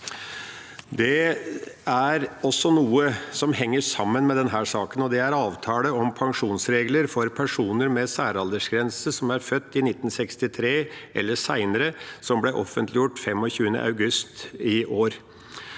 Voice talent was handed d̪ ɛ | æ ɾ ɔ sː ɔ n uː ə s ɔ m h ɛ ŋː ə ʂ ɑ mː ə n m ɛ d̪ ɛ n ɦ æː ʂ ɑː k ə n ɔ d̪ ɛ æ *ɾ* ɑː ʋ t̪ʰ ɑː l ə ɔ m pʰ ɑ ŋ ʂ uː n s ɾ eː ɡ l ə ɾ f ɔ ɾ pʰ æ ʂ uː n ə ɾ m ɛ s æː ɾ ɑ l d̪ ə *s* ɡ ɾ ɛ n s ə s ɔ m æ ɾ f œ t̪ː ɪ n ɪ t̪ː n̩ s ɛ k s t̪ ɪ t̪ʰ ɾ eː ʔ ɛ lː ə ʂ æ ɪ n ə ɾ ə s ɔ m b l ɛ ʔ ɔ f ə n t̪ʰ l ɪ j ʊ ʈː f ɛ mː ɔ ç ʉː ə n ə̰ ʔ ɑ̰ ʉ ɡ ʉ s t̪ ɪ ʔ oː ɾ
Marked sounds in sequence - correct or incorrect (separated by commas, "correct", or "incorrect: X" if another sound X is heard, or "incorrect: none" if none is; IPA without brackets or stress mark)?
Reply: correct, incorrect: ʂ